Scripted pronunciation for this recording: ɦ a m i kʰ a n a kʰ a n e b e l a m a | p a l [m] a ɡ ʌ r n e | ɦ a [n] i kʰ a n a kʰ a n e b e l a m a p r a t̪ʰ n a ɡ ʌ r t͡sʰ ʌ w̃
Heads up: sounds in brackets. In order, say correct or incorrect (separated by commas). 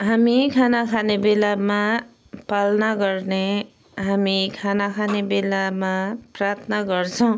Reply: incorrect, incorrect